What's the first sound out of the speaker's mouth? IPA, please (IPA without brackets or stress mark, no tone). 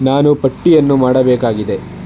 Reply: n